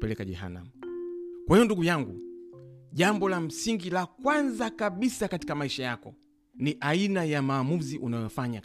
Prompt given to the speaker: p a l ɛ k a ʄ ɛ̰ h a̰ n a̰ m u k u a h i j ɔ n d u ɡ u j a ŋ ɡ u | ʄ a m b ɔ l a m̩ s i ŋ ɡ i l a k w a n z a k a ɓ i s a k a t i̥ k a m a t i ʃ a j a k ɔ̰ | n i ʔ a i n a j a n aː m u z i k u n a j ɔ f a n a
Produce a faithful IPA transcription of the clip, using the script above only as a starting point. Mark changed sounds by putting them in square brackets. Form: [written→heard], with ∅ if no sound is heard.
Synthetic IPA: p [a→ɛ] l ɛ k a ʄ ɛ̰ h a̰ n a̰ m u k [u→w] a h i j ɔ n d u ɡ u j a ŋ ɡ u | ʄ a m b ɔ l a m̩ s i ŋ ɡ i l a k w a n z a k a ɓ i s a k a t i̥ k a m a [t→∅] i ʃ a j a k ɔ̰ | n i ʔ a i n a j a [n→m] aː m u z i [k→ʔ] u n a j ɔ f a [n→ɲ] a